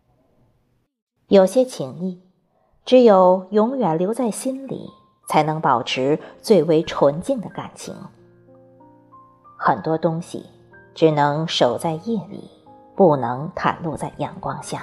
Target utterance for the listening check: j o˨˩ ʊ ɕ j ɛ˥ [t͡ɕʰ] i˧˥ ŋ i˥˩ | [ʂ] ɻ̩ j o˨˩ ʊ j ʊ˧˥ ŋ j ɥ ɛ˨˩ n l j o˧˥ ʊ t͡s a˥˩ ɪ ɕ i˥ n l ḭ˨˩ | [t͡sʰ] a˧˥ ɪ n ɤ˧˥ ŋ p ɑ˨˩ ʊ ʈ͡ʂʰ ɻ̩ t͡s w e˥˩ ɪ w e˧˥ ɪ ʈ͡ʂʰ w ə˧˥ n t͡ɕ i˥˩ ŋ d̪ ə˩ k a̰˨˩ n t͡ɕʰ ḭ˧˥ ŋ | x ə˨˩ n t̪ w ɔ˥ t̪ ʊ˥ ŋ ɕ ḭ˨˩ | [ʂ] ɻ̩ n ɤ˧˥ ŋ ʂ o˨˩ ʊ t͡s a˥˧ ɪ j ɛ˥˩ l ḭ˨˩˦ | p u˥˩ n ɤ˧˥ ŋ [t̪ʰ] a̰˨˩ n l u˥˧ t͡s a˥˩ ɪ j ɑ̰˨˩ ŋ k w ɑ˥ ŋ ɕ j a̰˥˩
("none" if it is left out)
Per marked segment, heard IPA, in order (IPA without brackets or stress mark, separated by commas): t͡ɕʰ, ʈ͡ʂ, t͡sʰ, ʈ͡ʂ, t̪ʰ